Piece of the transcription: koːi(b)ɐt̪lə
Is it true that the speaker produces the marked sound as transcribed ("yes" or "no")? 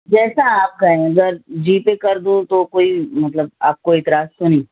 no